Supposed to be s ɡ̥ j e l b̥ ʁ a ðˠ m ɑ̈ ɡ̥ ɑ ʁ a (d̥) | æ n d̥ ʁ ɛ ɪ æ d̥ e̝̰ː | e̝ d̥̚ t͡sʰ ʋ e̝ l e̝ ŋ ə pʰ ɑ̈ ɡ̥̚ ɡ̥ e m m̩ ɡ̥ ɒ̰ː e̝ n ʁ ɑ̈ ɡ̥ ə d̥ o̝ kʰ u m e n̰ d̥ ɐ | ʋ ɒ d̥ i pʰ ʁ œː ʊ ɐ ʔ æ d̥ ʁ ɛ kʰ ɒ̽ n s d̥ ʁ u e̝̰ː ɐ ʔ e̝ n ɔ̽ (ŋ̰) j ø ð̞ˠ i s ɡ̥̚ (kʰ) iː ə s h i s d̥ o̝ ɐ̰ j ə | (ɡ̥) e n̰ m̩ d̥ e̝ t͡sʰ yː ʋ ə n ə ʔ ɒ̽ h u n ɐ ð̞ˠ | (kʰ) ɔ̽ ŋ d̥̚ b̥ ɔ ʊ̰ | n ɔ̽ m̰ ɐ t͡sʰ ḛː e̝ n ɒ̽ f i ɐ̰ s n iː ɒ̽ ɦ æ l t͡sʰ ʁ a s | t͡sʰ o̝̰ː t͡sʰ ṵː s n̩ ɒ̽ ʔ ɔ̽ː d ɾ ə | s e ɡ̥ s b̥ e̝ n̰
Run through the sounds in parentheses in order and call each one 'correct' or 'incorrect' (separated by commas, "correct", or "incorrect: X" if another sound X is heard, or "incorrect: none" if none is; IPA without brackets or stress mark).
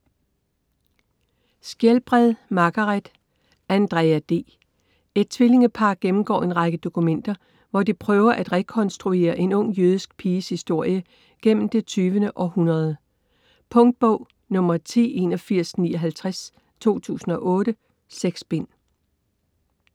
correct, correct, incorrect: pʰ, correct, incorrect: pʰ